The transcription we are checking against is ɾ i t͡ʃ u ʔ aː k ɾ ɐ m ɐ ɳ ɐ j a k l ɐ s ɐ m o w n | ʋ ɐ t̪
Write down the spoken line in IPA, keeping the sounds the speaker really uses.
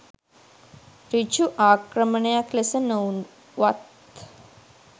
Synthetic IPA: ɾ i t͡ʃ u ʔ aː k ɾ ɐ m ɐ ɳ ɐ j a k l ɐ s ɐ n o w n | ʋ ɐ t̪